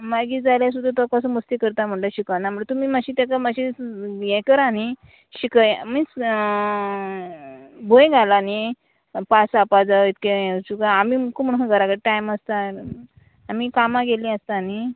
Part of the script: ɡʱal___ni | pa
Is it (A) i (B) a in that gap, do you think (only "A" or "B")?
B